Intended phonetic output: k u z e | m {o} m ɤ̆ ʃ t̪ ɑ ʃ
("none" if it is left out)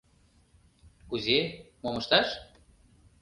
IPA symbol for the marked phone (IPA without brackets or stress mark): o